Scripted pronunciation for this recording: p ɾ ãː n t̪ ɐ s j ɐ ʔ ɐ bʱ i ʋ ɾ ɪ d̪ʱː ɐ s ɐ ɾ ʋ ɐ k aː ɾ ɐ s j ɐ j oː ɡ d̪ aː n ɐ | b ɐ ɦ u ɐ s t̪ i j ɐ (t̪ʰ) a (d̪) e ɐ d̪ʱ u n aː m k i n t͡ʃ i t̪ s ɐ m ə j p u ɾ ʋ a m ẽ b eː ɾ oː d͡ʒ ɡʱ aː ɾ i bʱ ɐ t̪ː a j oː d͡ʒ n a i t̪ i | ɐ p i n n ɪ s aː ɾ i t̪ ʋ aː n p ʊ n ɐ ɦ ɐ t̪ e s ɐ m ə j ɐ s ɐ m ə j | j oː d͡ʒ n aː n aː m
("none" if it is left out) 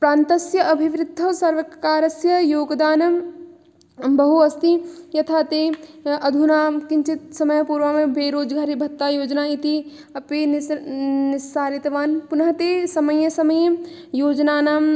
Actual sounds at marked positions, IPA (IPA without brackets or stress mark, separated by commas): t̪ʰ, t̪